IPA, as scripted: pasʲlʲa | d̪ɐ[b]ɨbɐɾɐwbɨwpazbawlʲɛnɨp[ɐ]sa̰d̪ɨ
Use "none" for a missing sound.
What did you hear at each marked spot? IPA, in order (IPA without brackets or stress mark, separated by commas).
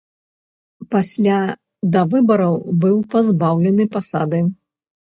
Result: v, a